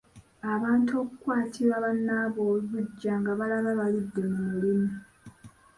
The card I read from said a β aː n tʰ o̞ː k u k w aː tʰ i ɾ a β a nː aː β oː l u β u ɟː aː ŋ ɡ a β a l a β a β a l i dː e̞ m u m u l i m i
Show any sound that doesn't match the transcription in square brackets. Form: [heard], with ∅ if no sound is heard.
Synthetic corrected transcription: a β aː n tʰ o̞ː k u k w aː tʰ i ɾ a β a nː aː β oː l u β u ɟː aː ŋ ɡ a β a l a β a β a l i dː e̞ m u m u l i m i